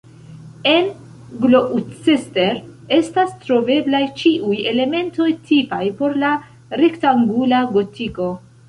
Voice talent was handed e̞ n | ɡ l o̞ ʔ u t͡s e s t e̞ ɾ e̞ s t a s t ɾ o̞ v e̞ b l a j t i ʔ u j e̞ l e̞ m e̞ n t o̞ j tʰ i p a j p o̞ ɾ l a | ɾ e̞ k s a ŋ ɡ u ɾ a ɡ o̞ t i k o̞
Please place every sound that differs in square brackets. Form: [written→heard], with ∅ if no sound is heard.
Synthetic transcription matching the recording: e̞ n | ɡ l o̞ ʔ u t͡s e s t e̞ ɾ e̞ s t a s t ɾ o̞ v e̞ b l a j [t→t͡ʃ] i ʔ u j e̞ l e̞ m e̞ n t o̞ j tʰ i p a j p o̞ ɾ l a | ɾ e̞ k [s→t] a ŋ ɡ u [ɾ→l] a ɡ o̞ t i k o̞